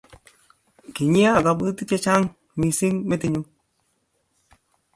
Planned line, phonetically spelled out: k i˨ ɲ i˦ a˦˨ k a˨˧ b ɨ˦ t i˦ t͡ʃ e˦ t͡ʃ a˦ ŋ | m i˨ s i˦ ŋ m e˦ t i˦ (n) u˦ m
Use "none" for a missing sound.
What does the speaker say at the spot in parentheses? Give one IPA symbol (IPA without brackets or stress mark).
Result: ɲ